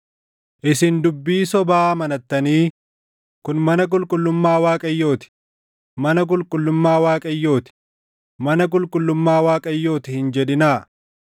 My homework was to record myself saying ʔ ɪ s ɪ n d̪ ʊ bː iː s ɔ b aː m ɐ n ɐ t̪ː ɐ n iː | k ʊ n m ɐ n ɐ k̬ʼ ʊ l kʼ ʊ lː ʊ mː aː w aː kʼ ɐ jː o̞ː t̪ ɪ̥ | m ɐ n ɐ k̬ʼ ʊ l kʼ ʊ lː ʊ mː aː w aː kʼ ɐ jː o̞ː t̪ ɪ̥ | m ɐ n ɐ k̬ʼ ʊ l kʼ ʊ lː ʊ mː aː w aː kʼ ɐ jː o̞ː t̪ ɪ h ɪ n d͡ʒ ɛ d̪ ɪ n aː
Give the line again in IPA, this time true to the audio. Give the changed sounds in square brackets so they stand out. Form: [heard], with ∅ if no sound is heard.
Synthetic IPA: ʔ ɪ s ɪ n d̪ ʊ bː iː s ɔ b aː m ɐ n ɐ t̪ː ɐ n iː | k ʊ n m ɐ n ɐ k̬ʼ ʊ l kʼ ʊ lː ʊ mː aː w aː kʼ ɐ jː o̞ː t̪ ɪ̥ | m ɐ n ɐ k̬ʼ ʊ l kʼ ʊ lː ʊ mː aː w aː kʼ ɐ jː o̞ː t̪ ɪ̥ | m ɐ n ɐ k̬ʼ ʊ l kʼ ʊ lː ʊ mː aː w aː kʼ ɐ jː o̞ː t̪ ɪ h ɪ n d͡ʒ ɛ d̪ ɪ n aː